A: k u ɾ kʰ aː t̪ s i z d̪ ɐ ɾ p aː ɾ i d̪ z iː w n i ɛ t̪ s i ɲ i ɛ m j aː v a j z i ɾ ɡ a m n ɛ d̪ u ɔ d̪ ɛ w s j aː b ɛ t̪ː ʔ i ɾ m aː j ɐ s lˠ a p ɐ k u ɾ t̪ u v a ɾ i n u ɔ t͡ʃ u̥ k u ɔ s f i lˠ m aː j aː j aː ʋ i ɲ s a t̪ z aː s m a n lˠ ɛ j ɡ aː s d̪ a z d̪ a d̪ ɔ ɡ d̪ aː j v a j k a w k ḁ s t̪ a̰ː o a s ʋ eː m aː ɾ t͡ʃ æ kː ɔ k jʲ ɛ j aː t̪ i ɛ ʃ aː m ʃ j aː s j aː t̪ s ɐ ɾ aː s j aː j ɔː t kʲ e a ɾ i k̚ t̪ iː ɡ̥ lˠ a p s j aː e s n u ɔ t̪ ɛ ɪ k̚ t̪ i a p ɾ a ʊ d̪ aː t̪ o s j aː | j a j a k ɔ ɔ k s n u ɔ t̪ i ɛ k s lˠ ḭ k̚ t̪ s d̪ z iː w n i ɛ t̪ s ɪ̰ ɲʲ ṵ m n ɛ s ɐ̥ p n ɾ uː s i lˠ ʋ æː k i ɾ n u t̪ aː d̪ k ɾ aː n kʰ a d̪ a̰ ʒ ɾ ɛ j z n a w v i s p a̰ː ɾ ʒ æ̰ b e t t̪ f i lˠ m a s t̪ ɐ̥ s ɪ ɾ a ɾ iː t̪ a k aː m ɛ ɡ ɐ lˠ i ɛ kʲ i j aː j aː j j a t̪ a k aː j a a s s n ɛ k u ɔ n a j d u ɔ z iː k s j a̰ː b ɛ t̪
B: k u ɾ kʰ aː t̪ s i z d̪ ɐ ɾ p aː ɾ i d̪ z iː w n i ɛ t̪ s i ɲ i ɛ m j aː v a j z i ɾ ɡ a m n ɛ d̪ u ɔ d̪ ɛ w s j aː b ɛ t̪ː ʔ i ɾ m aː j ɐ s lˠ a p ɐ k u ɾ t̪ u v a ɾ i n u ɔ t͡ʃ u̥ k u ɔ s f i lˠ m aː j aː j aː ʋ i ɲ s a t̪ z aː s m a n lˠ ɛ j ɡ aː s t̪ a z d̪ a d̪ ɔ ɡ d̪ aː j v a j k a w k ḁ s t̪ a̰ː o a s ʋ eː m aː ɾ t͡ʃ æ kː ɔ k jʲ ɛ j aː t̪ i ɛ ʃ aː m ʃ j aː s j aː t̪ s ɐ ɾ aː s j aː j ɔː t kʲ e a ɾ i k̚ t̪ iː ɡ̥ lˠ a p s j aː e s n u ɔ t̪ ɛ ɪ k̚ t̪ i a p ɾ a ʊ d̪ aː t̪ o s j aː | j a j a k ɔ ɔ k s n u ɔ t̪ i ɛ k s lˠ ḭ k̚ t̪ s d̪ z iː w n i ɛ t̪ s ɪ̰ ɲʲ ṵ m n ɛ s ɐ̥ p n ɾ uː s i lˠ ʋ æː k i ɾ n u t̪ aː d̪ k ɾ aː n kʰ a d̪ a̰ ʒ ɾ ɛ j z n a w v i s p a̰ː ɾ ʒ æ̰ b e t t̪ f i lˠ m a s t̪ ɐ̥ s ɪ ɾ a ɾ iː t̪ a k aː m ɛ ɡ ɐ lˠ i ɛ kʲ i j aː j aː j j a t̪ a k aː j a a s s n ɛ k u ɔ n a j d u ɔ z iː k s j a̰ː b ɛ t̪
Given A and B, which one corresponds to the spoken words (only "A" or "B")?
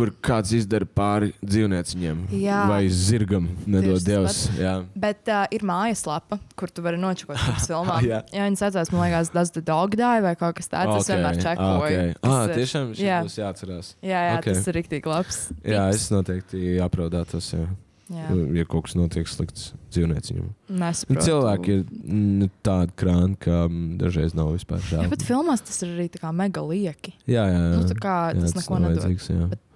A